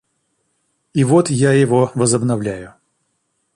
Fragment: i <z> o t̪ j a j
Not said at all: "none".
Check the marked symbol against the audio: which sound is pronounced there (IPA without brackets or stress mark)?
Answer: v